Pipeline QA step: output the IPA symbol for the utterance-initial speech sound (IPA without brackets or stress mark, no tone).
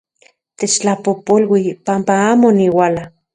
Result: t̪